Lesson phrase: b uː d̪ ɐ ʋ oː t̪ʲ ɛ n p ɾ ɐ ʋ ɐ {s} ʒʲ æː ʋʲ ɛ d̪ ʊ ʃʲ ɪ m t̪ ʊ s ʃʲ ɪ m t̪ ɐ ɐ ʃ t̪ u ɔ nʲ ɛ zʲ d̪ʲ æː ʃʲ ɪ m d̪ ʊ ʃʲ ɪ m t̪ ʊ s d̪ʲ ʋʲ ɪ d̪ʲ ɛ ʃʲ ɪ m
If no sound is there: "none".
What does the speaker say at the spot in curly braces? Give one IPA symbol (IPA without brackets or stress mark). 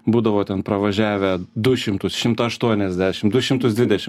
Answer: none